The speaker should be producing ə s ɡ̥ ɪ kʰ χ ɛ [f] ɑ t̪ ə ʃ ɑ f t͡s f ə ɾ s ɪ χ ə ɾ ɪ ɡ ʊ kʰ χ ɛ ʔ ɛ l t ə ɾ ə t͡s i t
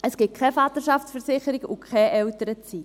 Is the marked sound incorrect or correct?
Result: correct